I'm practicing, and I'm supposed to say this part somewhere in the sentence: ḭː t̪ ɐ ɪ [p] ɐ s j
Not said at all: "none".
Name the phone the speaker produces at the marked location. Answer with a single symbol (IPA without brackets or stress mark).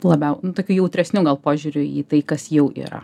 k